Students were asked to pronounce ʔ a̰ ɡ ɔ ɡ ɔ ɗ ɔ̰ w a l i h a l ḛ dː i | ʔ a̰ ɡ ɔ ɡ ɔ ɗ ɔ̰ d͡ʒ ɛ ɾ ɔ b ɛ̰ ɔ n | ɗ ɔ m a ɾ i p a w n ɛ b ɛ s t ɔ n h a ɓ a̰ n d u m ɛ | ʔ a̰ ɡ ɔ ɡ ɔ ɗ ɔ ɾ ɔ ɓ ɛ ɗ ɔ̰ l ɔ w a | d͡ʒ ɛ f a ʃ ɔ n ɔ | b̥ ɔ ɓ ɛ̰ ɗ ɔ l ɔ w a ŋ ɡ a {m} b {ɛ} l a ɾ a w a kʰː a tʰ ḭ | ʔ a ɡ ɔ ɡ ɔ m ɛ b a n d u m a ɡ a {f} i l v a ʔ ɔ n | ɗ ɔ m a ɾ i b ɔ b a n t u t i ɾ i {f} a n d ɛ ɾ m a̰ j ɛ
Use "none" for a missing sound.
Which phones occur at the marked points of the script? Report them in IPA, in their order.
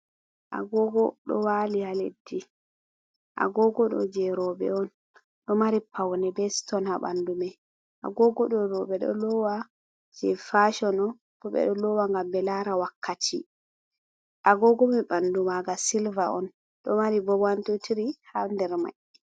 m, ɛ, s, h

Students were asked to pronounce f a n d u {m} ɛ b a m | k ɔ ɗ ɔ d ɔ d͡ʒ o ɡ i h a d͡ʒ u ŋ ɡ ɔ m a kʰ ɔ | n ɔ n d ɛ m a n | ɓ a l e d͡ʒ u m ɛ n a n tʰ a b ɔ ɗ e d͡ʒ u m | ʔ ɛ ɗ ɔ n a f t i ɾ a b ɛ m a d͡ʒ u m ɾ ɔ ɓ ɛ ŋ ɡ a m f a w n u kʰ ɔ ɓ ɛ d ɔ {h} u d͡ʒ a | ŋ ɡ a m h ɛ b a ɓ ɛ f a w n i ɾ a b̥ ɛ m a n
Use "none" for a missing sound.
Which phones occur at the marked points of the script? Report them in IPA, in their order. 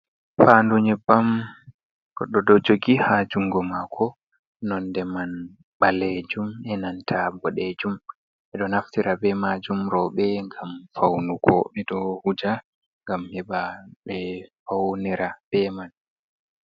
ɲ, h

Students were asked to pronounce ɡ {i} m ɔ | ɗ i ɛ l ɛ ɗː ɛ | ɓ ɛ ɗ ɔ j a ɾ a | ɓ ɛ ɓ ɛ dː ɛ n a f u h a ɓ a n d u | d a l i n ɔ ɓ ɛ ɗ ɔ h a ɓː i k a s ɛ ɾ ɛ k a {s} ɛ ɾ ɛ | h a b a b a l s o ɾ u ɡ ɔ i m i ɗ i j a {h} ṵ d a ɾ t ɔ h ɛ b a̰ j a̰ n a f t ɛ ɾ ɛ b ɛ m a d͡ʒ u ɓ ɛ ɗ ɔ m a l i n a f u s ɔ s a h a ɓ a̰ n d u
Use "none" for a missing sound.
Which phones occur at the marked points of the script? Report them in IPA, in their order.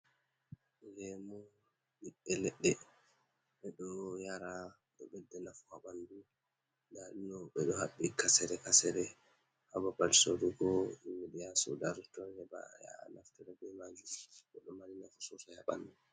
ɛ, s, s

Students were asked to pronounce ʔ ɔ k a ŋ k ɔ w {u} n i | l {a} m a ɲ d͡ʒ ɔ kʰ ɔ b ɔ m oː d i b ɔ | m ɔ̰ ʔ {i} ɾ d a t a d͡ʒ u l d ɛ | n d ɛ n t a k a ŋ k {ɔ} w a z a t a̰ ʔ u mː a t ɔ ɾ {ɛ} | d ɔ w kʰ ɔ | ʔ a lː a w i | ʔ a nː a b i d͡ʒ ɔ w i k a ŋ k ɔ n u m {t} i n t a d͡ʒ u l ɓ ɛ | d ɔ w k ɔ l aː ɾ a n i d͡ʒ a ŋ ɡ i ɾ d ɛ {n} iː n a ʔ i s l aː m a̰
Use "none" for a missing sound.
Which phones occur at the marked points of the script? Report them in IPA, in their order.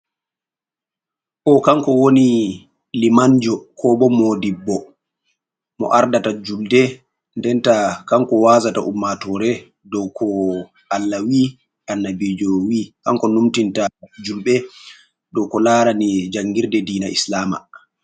o, i, a, ɔ, ɛ, t, d

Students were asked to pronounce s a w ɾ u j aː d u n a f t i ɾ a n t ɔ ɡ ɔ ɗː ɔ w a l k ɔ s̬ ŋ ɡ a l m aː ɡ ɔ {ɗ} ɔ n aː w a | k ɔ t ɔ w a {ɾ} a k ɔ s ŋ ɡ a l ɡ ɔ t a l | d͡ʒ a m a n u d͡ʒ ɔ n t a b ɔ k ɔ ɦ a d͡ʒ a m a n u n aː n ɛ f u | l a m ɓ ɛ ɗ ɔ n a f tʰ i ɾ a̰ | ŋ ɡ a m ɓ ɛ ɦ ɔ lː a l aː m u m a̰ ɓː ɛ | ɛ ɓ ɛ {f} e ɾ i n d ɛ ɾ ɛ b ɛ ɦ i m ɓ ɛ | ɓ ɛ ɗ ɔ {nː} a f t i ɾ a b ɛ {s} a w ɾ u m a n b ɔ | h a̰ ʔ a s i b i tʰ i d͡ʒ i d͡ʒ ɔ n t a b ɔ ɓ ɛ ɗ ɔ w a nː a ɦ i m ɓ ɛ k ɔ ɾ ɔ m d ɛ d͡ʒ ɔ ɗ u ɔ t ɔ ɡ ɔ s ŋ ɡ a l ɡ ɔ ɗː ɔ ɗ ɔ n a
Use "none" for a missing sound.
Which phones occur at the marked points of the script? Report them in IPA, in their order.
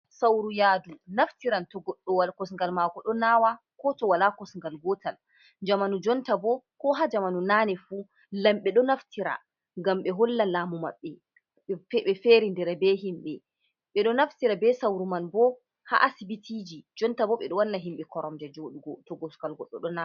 ɗ, l, f, n, s

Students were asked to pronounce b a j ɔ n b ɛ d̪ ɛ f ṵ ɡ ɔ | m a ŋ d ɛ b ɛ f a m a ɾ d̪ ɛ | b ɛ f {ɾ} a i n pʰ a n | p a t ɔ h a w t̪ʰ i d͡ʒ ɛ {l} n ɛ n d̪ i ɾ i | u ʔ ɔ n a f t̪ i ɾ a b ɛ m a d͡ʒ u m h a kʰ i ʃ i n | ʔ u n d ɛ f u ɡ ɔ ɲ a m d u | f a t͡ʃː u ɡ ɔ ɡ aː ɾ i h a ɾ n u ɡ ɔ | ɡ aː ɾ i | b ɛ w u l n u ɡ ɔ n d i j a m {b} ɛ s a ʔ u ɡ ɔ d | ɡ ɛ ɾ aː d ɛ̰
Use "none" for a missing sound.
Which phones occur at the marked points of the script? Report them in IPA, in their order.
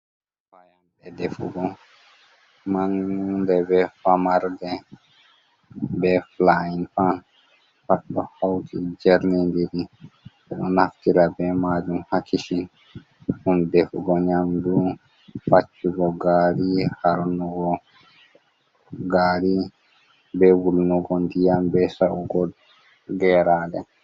l, ɾ, b

